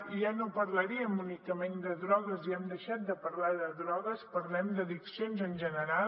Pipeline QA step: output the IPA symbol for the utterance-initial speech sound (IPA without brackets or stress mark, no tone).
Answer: ʒ